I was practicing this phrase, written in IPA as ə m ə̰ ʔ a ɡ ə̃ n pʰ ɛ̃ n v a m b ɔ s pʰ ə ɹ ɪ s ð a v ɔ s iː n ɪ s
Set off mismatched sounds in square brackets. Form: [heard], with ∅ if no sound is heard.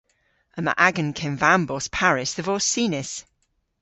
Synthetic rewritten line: ə m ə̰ ʔ a ɡ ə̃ n [kʰ] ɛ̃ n v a m b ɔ s pʰ [a] ɹ ɪ s ð [ə] v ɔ s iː n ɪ s